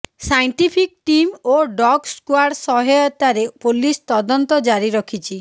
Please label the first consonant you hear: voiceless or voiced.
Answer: voiceless